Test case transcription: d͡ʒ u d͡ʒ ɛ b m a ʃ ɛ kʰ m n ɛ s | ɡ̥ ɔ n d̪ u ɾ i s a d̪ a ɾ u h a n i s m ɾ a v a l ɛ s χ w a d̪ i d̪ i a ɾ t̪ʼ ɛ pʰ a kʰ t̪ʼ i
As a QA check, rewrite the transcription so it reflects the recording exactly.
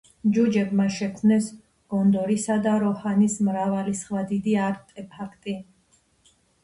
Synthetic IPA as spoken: d͡ʒ u d͡ʒ ɛ b m a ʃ ɛ kʰ m n ɛ s | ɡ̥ ɔ n d̪ ɔ ɾ i s a d̪ a ɾ ɔ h a n i s m ɾ a v a l i s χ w a d̪ i d̪ i a ɾ t̪ʼ ɛ pʰ a kʰ t̪ʼ i

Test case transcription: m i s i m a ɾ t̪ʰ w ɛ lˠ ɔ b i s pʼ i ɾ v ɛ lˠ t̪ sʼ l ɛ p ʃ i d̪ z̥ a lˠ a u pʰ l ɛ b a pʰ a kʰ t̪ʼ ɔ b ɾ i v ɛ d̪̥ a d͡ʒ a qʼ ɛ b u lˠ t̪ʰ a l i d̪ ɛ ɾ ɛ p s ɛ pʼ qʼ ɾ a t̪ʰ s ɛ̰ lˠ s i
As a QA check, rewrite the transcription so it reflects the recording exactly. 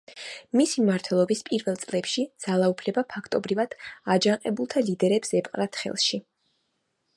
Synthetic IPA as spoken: m i s i m a ɾ t̪ʰ w ɛ lˠ ɔ b i s pʼ i ɾ v ɛ lˠ t̪ sʼ l ɛ p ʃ i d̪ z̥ a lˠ a u pʰ l ɛ b a pʰ a kʰ t̪ʼ ɔ b ɾ i v a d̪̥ a d͡ʒ a qʼ ɛ b u lˠ t̪ʰ a l i d̪ ɛ ɾ ɛ p s ɛ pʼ qʼ ɾ a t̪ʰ χ ɛ̰ lˠ ʃ i

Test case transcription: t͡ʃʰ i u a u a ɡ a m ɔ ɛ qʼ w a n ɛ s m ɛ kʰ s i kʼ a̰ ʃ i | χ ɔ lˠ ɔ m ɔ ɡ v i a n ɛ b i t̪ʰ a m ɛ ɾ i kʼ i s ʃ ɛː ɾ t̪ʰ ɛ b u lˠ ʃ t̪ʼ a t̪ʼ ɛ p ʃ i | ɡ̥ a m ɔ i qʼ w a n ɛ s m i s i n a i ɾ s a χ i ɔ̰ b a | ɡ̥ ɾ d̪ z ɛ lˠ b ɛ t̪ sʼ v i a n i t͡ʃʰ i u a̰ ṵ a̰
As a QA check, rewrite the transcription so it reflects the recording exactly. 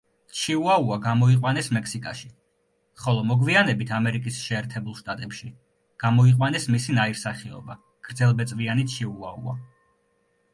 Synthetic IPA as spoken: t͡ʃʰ i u a u a ɡ a m ɔ i qʼ w a n ɛ s m ɛ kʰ s i kʼ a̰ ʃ i | χ ɔ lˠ ɔ m ɔ ɡ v i a n ɛ b i t̪ʰ a m ɛ ɾ i kʼ i s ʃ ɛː ɾ t̪ʰ ɛ b u lˠ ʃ t̪ʼ a t̪ʼ ɛ p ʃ i | ɡ̥ a m ɔ i qʼ w a n ɛ s m i s i n a i ɾ s a χ i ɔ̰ b a | ɡ̥ ɾ d̪ z ɛ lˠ b ɛ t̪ sʼ v i a n i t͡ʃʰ i u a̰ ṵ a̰

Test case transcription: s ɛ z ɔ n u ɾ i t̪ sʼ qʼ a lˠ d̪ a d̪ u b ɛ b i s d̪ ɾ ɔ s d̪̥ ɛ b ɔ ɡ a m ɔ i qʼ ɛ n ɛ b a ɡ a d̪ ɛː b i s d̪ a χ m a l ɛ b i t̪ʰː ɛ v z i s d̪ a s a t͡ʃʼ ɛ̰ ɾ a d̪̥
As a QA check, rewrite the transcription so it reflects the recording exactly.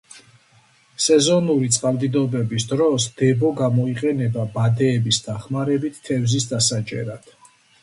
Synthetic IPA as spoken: s ɛ z ɔ n u ɾ i t̪ sʼ qʼ a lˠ d̪ i d̪ ɔ b ɛ b i s d̪ ɾ ɔ s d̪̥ ɛ b ɔ ɡ a m ɔ i qʼ ɛ n ɛ b a b a d̪ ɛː b i s d̪ a χ m a ɾ ɛ b i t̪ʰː ɛ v z i s d̪ a s a t͡ʃʼ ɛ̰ ɾ a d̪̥

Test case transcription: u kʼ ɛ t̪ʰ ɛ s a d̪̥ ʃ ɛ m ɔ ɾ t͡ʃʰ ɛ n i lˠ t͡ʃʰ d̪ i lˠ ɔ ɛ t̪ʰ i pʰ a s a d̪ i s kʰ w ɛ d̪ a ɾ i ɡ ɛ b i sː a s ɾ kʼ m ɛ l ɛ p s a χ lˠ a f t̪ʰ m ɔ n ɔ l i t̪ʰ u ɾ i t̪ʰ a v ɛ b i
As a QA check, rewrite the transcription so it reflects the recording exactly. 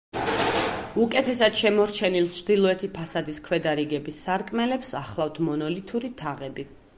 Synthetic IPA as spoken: u kʼ ɛ t̪ʰ ɛ s a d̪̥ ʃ ɛ m ɔ ɾ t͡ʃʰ ɛ n i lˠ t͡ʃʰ d̪ i lˠ ɔ ɛ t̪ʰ i pʰ a s a d̪ i s kʰ w ɛ d̪ a ɾ i ɡ ɛ b i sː a ɾ kʼ m ɛ l ɛ p s a χ lˠ a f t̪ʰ m ɔ n ɔ l i t̪ʰ u ɾ i t̪ʰ a ʁ ɛ b i

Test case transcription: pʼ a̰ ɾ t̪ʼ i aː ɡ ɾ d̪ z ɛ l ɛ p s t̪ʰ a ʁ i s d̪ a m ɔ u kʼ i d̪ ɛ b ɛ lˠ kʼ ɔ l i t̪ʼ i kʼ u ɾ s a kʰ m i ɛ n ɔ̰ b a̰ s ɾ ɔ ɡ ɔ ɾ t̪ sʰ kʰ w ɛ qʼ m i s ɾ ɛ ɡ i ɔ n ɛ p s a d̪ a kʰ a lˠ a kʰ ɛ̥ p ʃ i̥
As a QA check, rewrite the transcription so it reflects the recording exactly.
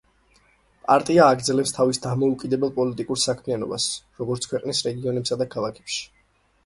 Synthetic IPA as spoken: pʼ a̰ ɾ t̪ʼ i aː ɡ ɾ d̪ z ɛ l ɛ p s t̪ʰ a v i s d̪ a m ɔ u kʼ i d̪ ɛ b ɛ lˠ pʼ ɔ l i t̪ʼ i kʼ u ɾ s a kʰ m i a n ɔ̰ b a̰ s ɾ ɔ ɡ ɔ ɾ t̪ sʰ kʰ w ɛ qʼ n i s ɾ ɛ ɡ i ɔ n ɛ p s a d̪ a kʰ a lˠ a kʰ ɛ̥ p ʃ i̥

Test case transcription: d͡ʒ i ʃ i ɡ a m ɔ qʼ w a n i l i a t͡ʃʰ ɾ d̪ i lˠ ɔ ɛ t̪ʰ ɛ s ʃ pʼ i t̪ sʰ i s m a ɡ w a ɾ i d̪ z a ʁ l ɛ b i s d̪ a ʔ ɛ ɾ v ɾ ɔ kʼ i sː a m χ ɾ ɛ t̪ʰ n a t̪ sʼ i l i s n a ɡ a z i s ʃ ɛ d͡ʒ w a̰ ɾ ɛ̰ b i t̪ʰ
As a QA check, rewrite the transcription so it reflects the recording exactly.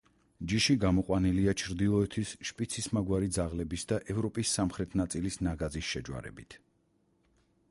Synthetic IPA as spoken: d͡ʒ i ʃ i ɡ a m ɔ qʼ w a n i l i a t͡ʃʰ ɾ d̪ i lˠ ɔ ɛ t̪ʰ i s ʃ pʼ i t̪ sʰ i s m a ɡ w a ɾ i d̪ z a ʁ l ɛ b i s d̪ a ʔ ɛ v ɾ ɔ pʼ i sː a m χ ɾ ɛ t̪ʰ n a t̪ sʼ i l i s n a ɡ a z i s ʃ ɛ d͡ʒ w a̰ ɾ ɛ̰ b i t̪ʰ

